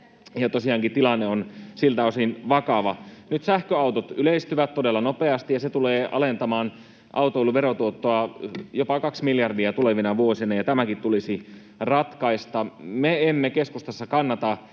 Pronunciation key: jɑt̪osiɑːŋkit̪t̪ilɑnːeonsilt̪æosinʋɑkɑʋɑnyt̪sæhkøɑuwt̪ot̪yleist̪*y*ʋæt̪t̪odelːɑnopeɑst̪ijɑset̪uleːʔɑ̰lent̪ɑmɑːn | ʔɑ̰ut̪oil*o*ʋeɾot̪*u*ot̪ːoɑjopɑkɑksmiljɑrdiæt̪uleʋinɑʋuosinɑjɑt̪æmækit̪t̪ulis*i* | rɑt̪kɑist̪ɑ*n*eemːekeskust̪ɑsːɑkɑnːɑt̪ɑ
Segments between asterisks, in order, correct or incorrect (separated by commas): correct, incorrect, correct, correct, incorrect